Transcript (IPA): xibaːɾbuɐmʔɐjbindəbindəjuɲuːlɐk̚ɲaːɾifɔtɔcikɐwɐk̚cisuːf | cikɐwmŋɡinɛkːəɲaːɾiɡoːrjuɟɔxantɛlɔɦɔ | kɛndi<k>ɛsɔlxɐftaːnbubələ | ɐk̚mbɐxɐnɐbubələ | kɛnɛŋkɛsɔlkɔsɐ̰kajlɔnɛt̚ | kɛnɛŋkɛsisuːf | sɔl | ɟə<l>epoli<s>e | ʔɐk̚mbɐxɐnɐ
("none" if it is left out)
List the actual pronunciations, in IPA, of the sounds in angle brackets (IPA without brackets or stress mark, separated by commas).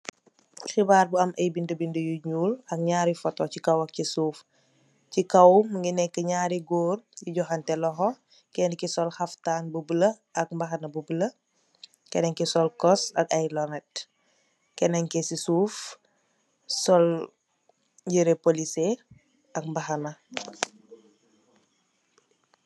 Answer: k, ɾ, s